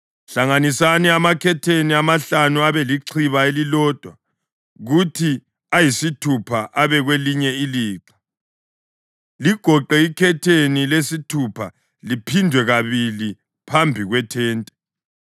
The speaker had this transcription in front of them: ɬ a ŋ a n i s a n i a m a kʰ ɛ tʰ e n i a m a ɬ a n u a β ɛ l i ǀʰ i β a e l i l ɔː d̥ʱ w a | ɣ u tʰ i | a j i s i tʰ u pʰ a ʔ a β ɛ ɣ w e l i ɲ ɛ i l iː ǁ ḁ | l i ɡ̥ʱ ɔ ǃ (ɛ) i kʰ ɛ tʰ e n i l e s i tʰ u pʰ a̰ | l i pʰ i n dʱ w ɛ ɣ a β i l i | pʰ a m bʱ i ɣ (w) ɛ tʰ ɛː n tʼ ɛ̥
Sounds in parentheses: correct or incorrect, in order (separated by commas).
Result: correct, correct